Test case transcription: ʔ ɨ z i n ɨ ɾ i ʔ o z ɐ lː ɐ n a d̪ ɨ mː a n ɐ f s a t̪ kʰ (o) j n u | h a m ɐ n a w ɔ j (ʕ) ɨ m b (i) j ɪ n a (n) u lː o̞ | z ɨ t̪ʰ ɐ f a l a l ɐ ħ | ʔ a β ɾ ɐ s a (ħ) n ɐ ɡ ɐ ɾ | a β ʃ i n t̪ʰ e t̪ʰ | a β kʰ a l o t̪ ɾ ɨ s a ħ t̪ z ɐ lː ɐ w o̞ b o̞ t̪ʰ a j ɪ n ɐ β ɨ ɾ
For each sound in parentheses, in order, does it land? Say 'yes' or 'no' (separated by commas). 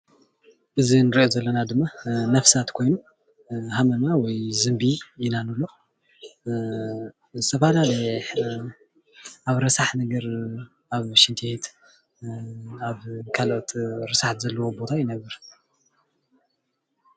yes, no, yes, yes, yes